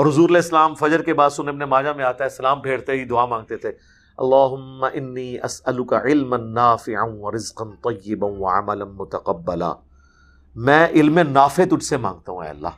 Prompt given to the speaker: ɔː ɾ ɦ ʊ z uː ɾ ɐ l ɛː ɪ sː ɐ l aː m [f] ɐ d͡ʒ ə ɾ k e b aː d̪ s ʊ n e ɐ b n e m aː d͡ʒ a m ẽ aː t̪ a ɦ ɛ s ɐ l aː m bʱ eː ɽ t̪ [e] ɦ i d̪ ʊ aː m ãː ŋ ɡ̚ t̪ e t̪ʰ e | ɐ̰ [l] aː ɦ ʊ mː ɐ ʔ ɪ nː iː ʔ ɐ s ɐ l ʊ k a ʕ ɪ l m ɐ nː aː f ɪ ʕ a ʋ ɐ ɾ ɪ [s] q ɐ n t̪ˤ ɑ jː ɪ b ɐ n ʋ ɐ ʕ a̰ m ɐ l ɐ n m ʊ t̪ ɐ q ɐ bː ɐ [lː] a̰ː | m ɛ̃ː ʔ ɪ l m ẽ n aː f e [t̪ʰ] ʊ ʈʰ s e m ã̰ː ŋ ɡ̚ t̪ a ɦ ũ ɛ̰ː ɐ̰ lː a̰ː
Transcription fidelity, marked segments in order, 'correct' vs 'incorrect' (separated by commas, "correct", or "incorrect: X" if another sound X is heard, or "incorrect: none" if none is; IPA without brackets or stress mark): correct, correct, incorrect: lː, incorrect: z, incorrect: l, incorrect: t̪